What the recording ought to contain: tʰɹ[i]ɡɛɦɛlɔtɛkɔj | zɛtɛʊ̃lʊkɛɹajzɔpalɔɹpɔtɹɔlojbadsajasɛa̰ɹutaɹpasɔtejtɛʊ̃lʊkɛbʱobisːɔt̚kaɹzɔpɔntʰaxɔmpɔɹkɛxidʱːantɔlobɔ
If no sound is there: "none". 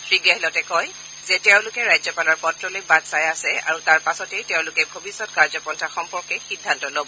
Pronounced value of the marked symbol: i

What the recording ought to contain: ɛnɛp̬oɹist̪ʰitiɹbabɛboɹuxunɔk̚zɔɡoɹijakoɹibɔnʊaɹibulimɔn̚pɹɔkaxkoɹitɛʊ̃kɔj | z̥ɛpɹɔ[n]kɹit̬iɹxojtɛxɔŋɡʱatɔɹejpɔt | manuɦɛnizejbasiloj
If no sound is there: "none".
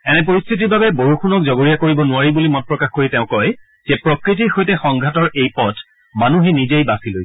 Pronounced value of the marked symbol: none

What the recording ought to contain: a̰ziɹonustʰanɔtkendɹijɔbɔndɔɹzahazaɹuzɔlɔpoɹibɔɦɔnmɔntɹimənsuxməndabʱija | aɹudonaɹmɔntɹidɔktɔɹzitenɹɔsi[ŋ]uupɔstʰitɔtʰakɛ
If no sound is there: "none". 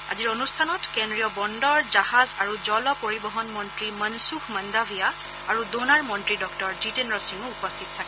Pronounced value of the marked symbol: ŋ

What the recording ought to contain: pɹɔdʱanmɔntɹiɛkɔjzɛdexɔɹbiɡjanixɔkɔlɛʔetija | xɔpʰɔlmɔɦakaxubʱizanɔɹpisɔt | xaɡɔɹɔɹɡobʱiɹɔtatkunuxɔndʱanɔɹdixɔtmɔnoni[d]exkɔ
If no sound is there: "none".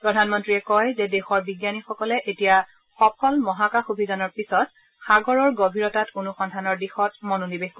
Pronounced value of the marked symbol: b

